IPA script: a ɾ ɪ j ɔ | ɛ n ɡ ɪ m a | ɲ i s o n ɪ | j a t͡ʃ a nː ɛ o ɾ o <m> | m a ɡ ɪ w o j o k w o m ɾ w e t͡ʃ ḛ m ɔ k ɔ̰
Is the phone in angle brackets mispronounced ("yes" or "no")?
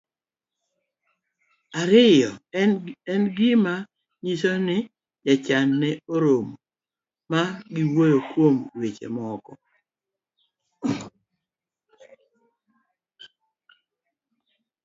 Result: no